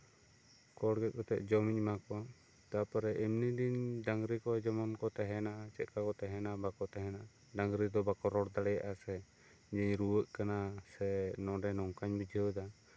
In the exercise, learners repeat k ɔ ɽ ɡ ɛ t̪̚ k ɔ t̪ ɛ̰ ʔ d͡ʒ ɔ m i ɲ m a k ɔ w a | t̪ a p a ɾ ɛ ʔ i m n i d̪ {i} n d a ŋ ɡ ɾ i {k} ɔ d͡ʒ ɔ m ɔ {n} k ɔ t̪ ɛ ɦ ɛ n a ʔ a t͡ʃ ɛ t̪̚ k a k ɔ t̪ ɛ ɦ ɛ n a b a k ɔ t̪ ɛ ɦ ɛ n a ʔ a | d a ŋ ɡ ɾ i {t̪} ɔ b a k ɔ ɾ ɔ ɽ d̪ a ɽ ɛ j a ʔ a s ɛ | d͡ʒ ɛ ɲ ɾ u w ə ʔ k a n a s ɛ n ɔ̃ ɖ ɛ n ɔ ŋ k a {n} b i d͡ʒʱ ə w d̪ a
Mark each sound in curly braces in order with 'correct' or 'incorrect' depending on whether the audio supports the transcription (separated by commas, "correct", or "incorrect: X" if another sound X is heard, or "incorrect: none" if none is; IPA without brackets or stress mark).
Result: correct, correct, correct, incorrect: d̪, incorrect: ɲ